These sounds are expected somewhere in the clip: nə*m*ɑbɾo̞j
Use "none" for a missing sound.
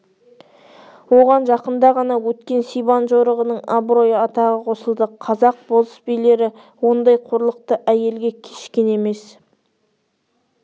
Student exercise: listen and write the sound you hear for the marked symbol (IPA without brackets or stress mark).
ɴ